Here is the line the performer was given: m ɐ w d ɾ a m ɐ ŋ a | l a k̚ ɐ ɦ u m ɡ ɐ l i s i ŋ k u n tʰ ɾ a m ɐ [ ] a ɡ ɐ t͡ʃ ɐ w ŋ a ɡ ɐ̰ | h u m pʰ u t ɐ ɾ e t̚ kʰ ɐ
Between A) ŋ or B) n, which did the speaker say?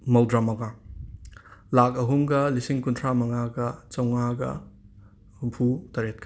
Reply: A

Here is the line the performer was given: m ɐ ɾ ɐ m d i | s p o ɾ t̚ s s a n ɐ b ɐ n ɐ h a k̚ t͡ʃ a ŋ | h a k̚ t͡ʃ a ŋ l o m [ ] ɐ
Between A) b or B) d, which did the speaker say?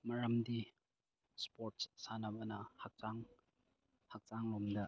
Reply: B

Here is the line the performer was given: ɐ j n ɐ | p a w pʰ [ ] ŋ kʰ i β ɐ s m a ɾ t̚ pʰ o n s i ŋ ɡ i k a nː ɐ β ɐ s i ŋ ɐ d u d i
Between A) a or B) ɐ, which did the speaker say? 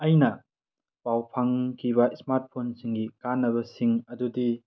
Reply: A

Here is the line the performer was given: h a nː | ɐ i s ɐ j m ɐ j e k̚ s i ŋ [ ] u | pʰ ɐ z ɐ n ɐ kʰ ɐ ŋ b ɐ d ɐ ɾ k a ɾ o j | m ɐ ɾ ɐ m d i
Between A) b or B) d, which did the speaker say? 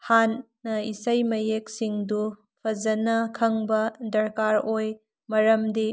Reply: B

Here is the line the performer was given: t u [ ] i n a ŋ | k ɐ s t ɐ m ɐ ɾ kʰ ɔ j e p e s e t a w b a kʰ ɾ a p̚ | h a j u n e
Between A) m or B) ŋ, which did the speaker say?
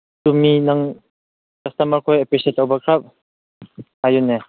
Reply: A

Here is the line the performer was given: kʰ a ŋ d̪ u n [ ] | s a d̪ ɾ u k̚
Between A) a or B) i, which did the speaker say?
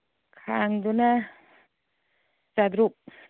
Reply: A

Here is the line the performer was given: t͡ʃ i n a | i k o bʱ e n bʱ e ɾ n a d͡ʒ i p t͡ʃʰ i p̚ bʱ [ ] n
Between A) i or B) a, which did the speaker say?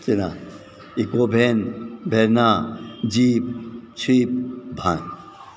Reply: B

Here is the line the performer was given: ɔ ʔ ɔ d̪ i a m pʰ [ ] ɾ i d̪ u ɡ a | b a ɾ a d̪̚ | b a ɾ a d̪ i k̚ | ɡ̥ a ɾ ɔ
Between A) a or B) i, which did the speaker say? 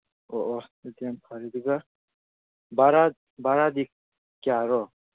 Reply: A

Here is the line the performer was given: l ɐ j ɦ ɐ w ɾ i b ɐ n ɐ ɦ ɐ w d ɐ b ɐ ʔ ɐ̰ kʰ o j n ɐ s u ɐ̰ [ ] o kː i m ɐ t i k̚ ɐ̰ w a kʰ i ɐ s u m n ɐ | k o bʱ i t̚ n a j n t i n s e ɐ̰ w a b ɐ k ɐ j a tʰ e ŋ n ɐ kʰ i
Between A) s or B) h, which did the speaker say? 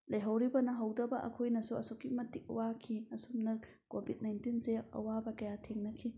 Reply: A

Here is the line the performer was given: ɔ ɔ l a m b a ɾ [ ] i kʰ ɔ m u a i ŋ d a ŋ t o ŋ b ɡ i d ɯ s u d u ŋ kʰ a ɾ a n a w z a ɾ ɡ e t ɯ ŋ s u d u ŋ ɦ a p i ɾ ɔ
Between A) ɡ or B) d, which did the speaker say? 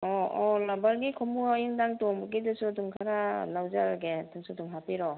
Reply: A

